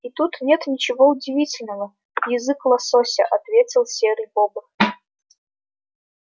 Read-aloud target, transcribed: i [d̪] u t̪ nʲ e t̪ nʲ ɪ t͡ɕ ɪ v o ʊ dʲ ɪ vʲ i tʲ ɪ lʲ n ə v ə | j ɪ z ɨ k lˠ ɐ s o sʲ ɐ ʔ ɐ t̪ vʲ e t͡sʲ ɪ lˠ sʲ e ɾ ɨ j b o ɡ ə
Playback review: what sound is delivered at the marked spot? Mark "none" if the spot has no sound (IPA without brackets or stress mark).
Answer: t̪